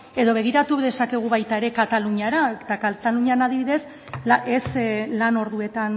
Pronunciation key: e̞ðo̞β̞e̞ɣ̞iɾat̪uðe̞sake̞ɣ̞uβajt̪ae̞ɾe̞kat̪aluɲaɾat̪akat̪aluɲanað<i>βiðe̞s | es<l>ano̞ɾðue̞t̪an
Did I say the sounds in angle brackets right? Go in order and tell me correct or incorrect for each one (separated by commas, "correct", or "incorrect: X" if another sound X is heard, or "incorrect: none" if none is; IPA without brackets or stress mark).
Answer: correct, correct